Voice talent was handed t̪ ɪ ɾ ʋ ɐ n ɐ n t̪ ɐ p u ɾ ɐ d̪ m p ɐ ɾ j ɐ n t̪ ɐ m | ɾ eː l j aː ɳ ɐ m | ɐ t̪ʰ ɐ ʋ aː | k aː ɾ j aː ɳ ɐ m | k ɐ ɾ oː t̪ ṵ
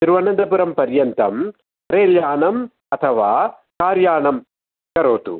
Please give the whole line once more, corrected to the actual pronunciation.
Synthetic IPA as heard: t̪ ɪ ɾ ʋ ɐ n ɐ n d̪ ɐ p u ɾ ɐ m p ɐ ɾ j ɐ n t̪ ɐ m | ɾ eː l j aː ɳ ɐ m | ɐ t̪ʰ ɐ ʋ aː | k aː ɾ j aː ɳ ɐ m | k ɐ ɾ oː t̪ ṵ